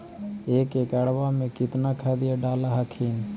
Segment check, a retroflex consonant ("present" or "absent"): present